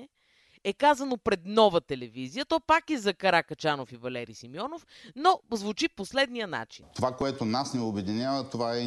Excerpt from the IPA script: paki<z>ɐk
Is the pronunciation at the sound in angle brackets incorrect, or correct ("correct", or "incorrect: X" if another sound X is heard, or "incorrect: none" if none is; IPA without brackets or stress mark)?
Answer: correct